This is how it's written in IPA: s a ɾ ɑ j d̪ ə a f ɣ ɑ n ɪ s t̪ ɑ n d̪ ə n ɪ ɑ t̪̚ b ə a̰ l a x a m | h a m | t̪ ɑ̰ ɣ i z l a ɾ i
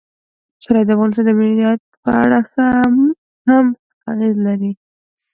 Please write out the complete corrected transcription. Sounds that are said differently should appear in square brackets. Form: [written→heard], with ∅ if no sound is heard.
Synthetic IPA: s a ɾ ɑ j d̪ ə a f ɣ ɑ n ɪ s t̪ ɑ n d̪ ə [n→m] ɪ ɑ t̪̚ [b→p] ə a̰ [l→ɽ] a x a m | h a m | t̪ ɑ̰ ɣ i z l a ɾ i